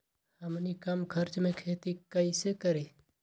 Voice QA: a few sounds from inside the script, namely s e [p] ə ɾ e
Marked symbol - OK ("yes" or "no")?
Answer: no